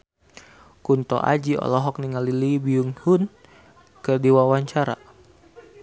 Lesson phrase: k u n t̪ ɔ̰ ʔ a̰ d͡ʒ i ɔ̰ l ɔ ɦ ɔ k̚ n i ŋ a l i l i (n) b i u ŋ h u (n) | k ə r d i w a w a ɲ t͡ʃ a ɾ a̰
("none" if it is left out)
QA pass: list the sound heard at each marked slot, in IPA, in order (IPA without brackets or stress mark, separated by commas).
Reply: none, n